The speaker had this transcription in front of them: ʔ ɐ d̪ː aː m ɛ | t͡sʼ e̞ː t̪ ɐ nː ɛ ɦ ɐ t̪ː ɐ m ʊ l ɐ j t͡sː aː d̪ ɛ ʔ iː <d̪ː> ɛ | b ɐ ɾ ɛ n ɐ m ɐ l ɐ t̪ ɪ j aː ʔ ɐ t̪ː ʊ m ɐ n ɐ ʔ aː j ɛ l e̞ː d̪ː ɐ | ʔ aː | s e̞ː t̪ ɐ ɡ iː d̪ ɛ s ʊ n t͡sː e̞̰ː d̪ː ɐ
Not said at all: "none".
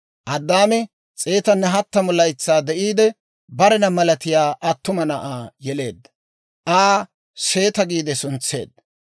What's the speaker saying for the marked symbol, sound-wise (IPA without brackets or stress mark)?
d̪